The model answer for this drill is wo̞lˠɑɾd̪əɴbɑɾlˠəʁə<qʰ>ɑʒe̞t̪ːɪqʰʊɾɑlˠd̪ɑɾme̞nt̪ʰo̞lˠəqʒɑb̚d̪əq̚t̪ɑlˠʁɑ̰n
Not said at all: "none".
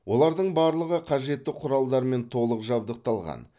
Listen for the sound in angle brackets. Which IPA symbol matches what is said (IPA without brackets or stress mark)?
qʰ